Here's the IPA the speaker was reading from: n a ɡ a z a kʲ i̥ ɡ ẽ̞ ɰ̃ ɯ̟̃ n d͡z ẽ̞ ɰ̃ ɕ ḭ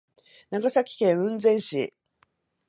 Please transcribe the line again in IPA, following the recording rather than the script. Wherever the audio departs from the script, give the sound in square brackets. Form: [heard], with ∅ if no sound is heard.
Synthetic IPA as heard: n a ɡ a [s] a kʲ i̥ [k] ẽ̞ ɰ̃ ɯ̟̃ n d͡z ẽ̞ ɰ̃ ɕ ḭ

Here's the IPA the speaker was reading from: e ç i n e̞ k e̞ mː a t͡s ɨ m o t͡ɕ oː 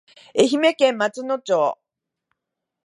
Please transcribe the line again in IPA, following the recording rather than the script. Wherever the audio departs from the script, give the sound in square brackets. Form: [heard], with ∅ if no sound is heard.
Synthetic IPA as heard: e ç i [m] e̞ k [ẽ̞] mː a t͡s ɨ [n] o t͡ɕ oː

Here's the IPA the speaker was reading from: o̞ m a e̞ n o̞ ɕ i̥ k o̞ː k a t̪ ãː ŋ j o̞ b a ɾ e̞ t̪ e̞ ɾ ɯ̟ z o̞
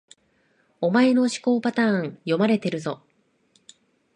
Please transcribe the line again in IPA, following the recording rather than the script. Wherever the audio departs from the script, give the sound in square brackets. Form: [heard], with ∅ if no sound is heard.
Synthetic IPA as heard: o̞ m a e̞ n o̞ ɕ i̥ k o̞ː [p] a t̪ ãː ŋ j o̞ [m] a ɾ e̞ t̪ e̞ ɾ ɯ̟ z o̞

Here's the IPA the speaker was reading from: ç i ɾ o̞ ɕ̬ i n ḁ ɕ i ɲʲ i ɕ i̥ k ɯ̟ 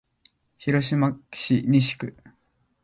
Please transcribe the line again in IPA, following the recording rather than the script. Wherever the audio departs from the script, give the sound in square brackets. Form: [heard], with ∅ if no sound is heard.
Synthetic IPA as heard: ç i ɾ o̞ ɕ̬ i [m] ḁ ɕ i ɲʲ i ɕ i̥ k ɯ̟

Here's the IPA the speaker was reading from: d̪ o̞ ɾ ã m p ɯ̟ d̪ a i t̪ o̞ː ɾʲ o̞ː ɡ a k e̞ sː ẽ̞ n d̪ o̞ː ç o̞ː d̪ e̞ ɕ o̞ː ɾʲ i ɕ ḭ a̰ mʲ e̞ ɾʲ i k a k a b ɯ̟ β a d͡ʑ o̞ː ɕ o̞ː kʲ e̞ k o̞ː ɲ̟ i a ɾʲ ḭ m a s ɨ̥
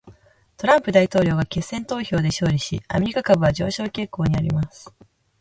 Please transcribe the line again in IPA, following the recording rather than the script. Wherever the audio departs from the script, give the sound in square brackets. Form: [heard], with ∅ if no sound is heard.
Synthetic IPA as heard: [t̪] o̞ ɾ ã m p ɯ̟ d̪ a i t̪ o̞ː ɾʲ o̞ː ɡ a k e̞ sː ẽ̞ n [t̪] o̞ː ç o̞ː d̪ e̞ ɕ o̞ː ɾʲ i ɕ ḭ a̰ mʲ e̞ ɾʲ i k a k a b ɯ̟ β a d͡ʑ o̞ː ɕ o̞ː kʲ e̞ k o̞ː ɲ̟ i a ɾʲ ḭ m a s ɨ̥

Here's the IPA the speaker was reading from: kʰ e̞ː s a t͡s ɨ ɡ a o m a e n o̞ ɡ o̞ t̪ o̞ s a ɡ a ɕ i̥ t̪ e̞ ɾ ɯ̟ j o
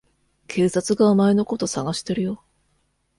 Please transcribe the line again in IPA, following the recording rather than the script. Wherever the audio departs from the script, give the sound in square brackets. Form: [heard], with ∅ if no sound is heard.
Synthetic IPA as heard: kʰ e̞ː s a t͡s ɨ ɡ a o m a e n o̞ [k] o̞ t̪ o̞ s a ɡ a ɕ i̥ t̪ e̞ ɾ ɯ̟ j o

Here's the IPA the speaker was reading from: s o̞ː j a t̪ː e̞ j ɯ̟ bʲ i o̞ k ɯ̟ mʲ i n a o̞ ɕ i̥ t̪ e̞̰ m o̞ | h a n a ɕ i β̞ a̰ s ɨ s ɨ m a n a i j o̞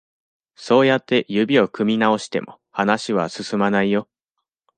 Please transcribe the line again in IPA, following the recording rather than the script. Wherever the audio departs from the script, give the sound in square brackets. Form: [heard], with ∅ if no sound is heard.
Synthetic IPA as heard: s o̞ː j a t̪ː e̞ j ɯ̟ bʲ i o̞ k ɯ̟ mʲ i n a o̞ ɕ i̥ t̪ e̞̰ m o̞ | h a n a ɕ i β̞ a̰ s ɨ s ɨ m a n a i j o̞

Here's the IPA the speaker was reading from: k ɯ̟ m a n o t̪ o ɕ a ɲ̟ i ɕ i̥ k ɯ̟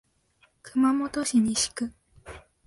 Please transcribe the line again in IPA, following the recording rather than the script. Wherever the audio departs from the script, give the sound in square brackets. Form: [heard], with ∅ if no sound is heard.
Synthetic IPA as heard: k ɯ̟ m a [m] o t̪ o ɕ [i] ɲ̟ i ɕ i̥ k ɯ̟

